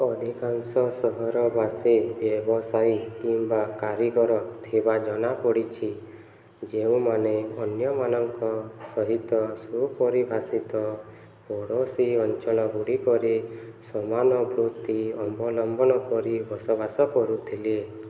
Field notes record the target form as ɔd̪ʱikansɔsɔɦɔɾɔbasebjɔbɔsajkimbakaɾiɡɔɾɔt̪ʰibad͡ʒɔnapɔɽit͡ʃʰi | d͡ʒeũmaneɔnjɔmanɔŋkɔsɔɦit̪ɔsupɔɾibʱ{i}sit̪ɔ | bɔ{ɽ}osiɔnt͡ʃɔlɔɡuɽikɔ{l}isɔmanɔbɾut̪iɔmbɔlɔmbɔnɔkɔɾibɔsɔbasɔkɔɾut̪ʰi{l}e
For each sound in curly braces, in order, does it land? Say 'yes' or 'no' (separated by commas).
no, yes, no, yes